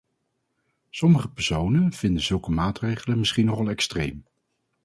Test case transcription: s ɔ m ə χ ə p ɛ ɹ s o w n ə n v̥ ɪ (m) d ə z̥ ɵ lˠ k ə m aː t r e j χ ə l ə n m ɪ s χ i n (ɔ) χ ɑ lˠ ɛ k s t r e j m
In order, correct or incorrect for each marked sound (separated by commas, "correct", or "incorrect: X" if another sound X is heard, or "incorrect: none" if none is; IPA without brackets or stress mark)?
incorrect: n, correct